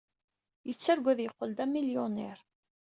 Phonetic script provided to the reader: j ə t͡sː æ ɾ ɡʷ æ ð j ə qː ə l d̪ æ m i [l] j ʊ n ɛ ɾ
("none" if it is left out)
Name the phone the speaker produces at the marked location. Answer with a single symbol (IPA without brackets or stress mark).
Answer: l